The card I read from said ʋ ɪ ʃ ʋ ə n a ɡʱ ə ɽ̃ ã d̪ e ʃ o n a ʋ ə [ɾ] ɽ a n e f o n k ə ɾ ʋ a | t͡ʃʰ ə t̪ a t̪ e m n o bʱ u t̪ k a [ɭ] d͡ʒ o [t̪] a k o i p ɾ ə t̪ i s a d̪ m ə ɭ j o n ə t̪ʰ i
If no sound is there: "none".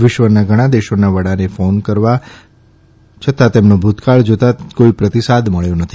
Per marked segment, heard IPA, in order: none, ɭ, t̪

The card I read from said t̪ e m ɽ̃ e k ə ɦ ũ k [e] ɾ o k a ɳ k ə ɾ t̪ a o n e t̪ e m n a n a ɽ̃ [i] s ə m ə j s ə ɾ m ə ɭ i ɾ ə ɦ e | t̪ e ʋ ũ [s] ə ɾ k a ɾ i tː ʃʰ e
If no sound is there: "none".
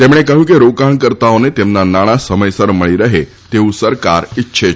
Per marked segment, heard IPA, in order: e, a, s

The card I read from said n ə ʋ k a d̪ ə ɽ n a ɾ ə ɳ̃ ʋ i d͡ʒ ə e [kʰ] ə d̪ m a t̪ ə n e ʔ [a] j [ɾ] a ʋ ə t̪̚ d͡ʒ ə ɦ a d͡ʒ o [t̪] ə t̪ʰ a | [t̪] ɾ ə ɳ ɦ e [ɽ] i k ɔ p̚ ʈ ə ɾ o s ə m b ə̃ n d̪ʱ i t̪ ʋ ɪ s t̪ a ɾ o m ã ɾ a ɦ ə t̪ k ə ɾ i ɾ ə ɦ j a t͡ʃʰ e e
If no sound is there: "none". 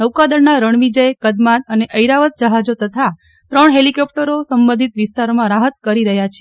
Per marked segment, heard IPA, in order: k, ə, ɾ, t̪, t̪, l

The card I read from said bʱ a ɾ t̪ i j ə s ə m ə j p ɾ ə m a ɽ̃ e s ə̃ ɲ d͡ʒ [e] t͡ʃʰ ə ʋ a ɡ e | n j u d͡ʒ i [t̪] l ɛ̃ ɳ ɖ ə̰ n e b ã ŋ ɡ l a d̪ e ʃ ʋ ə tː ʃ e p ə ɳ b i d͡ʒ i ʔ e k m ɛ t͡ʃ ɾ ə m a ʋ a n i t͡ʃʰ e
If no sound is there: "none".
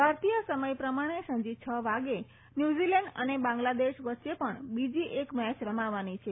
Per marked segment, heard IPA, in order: i, none

